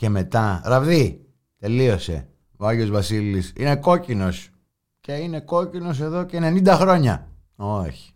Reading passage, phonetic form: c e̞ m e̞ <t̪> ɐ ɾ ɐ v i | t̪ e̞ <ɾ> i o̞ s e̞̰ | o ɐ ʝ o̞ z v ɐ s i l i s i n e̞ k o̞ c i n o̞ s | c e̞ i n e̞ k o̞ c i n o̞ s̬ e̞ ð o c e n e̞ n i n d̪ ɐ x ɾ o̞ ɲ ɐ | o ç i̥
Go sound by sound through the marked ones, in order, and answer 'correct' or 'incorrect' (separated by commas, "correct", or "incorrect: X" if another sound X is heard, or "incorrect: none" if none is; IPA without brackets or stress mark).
correct, incorrect: l